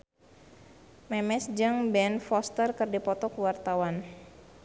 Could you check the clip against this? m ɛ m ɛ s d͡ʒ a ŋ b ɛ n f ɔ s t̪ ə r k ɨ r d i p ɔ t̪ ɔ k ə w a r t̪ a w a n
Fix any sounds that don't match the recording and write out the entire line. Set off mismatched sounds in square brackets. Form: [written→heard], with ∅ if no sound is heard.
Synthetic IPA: m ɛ m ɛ s d͡ʒ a ŋ b ɛ n f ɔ s t̪ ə r k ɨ r d i p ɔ t̪ ɔ k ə w a r t̪ a w a n

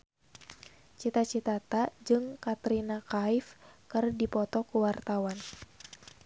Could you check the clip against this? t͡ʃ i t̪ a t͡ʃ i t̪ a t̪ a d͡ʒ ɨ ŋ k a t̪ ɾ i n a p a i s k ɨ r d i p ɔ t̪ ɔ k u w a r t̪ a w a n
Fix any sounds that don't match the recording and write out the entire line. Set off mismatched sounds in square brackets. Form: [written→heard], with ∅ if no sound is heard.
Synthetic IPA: t͡ʃ i t̪ a t͡ʃ i t̪ a t̪ a d͡ʒ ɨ ŋ k a t̪ ɾ i n a [p→k] a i [s→f] k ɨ r d i p ɔ t̪ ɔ k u w a r t̪ a w a n

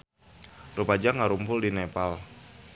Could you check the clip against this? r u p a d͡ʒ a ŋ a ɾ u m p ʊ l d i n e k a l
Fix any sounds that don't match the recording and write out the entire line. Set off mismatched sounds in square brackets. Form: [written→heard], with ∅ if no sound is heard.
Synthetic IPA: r u p a d͡ʒ a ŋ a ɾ u m p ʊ l d i n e [k→p] a l

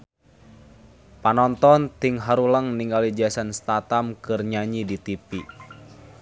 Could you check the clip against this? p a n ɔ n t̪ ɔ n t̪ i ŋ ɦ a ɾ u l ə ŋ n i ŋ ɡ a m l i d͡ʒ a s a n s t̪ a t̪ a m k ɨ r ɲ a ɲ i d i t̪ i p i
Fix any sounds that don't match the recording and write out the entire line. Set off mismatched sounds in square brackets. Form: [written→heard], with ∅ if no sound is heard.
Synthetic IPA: p a n ɔ n t̪ ɔ n t̪ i ŋ ɦ a ɾ u l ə ŋ n i ŋ ɡ a [m→∅] l i d͡ʒ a s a n s t̪ a t̪ a m k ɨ r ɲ a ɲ i d i t̪ i p i

